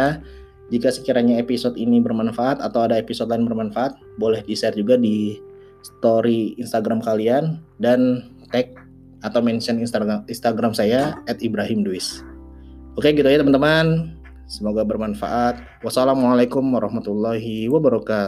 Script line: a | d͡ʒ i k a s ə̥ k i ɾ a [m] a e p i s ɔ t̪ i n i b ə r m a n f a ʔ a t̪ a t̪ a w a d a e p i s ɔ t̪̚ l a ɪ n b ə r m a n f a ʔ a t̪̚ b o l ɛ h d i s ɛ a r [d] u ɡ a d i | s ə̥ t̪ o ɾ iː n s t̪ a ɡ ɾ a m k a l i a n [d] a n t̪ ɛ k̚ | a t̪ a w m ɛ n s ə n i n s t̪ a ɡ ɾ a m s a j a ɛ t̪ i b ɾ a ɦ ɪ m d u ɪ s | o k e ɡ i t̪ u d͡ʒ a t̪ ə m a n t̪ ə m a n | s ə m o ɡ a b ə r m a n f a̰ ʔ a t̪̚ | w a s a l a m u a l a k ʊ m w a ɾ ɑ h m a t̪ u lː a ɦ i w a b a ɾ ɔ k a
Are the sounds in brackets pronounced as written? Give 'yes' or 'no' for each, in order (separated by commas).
no, no, yes